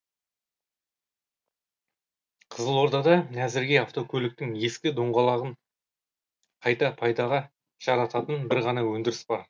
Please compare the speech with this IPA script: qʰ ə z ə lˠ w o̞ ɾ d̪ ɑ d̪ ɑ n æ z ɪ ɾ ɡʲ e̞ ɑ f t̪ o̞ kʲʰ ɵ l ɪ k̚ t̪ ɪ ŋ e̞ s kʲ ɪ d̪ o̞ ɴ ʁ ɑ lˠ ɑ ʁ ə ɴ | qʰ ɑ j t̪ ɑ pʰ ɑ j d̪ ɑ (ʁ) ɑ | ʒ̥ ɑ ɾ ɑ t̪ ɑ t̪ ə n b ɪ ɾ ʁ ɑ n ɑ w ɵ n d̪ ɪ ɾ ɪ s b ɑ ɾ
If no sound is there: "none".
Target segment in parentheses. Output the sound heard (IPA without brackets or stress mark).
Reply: ʁ